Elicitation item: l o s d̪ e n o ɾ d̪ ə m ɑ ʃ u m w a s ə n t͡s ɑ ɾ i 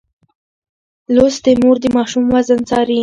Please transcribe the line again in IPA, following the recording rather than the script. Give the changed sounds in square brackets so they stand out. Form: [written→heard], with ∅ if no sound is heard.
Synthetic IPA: l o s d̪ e [n→m] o ɾ d̪ ə m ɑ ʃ u m w a [s→z] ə n t͡s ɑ ɾ i